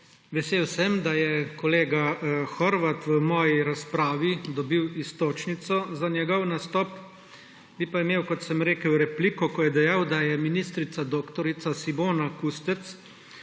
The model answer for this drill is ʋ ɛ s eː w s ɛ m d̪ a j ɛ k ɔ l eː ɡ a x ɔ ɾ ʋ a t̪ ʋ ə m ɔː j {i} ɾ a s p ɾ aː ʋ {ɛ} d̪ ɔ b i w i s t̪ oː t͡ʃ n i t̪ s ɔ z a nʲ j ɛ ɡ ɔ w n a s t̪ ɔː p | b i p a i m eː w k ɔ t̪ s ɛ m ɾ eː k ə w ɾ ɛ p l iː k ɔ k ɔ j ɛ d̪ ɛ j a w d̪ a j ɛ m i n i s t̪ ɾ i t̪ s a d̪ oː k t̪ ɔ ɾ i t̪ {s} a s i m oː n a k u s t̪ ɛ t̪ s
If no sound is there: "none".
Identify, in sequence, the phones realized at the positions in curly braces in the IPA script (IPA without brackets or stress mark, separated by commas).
i, i, s